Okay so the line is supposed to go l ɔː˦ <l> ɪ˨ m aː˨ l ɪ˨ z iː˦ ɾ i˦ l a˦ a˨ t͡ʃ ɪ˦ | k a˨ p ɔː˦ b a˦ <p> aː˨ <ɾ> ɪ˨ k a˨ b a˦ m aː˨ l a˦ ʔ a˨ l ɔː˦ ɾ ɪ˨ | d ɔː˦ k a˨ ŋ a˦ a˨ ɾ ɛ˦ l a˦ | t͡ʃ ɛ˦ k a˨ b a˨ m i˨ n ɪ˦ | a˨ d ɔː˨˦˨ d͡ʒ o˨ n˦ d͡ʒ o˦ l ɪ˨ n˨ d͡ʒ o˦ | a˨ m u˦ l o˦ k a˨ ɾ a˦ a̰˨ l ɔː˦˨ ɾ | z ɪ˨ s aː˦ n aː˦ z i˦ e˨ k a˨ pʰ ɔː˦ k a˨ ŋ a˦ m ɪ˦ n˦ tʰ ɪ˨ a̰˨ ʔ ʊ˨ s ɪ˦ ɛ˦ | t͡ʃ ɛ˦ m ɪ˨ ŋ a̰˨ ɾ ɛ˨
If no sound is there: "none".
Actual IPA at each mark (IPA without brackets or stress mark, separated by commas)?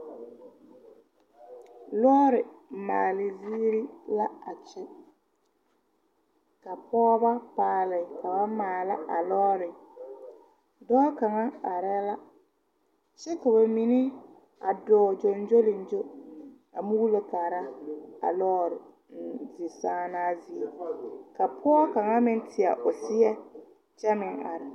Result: ɾ, p, l